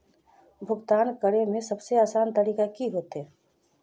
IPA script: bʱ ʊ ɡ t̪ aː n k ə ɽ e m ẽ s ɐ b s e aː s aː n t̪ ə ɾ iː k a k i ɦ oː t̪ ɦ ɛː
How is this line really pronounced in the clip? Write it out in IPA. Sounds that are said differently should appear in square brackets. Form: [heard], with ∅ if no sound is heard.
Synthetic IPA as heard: bʱ ʊ ɡ t̪ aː n k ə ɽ e m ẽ s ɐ b s e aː s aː n t̪ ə ɾ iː k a k i ɦ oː t̪ ɦ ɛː